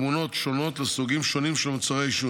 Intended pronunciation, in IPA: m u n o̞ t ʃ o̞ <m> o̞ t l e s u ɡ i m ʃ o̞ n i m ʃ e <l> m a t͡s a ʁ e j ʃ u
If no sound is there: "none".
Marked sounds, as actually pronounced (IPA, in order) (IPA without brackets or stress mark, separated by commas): n, l